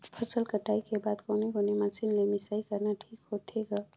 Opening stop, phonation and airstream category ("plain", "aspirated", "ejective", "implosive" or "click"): aspirated